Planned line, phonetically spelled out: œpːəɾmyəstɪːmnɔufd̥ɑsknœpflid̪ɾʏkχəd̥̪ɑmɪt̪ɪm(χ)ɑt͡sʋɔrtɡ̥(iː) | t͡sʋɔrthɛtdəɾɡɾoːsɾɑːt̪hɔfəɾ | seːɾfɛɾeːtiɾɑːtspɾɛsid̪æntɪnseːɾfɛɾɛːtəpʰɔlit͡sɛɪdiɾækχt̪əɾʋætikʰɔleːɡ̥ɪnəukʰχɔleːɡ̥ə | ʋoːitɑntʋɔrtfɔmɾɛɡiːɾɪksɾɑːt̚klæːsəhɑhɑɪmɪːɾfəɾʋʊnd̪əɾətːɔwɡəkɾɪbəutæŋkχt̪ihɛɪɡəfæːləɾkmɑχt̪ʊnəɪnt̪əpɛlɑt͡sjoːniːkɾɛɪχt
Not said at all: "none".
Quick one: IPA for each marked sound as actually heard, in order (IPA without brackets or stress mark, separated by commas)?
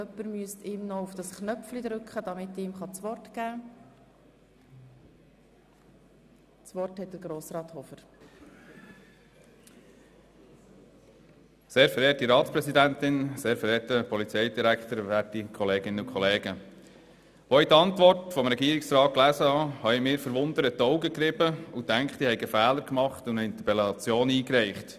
χ, æː